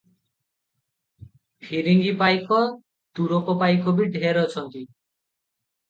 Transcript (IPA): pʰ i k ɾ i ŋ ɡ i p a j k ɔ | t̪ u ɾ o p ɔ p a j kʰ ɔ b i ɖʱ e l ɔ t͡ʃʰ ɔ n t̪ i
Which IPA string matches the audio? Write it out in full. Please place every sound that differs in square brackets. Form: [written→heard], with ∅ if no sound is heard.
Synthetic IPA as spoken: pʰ i [k→∅] ɾ i ŋ ɡ i p a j k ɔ | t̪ u ɾ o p ɔ p a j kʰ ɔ b i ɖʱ e [l→ɾ] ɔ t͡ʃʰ ɔ n t̪ i